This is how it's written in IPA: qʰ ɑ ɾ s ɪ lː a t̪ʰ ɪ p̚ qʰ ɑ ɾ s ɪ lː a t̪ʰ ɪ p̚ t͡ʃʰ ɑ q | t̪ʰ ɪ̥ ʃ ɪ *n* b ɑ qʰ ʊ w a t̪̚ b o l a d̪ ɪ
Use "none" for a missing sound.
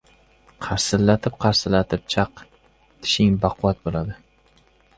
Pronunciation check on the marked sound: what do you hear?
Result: ŋ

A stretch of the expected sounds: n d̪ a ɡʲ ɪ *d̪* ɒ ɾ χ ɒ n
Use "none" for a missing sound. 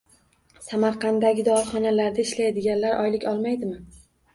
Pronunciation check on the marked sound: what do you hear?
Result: d̪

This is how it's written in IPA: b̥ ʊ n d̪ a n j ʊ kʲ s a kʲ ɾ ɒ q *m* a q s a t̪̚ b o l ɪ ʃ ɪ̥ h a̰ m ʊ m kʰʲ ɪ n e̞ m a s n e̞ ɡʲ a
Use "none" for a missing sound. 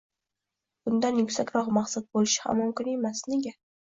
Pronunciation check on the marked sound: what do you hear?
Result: m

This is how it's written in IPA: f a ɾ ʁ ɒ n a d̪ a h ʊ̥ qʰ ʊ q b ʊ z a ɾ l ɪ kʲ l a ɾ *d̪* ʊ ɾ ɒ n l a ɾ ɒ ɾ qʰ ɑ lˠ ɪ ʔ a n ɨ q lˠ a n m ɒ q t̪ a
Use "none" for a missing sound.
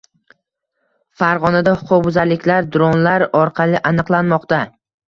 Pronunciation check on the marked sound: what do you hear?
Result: d̪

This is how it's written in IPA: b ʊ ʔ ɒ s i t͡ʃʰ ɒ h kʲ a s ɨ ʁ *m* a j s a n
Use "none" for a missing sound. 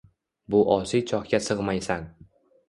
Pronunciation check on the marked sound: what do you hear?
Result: m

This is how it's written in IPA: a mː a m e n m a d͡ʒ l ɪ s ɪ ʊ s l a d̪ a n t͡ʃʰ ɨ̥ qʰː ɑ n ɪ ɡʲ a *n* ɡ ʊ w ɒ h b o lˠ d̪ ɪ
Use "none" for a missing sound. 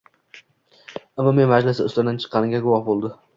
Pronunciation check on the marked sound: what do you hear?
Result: none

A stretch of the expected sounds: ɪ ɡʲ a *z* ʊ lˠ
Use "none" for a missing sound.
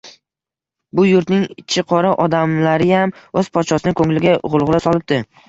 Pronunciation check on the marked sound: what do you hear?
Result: ʁ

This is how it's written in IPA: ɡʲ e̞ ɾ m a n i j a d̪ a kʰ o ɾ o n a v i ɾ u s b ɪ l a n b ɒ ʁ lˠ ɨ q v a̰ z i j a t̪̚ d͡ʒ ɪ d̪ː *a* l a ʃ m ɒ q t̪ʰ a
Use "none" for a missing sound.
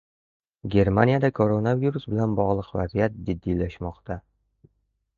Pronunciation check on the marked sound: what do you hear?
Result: i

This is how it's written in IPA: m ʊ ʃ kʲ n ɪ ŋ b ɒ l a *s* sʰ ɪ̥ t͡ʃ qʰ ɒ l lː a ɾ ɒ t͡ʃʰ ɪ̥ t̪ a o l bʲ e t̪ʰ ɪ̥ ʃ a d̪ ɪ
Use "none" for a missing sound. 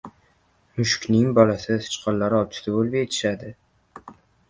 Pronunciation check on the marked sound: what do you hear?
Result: s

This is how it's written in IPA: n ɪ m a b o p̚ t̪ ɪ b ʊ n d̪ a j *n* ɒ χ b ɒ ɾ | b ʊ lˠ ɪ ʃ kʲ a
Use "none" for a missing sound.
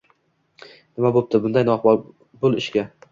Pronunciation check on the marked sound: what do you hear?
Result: n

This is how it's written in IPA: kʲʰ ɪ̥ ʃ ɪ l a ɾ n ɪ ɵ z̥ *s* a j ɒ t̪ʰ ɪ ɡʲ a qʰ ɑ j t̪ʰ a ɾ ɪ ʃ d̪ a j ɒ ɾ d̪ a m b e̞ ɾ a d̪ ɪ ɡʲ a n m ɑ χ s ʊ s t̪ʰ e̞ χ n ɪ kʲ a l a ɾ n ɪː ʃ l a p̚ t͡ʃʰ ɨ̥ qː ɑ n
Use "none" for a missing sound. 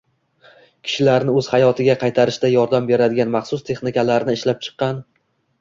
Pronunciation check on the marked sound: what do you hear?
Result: h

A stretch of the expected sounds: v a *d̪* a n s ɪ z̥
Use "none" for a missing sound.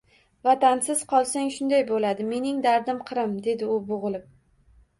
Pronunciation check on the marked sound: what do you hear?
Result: t̪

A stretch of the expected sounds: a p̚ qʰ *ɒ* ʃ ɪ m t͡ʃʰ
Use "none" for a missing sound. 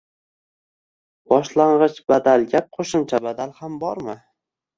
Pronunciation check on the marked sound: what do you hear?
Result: o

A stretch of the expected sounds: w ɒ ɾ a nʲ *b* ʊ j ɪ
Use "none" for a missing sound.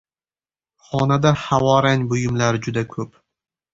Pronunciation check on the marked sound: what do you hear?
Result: b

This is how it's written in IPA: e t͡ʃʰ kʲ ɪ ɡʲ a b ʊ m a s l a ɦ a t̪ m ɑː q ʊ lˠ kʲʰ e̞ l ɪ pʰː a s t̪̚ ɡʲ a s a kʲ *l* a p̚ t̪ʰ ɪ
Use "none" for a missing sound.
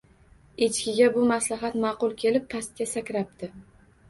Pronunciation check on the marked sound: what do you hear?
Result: ɾ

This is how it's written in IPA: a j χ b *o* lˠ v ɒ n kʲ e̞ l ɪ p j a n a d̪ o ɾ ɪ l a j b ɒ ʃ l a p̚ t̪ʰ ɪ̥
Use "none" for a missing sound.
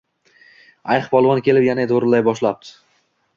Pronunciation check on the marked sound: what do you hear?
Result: ɒ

